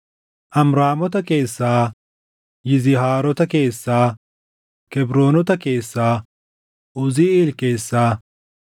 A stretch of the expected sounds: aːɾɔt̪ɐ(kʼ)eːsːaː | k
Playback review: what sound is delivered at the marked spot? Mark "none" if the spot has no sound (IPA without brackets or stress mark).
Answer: k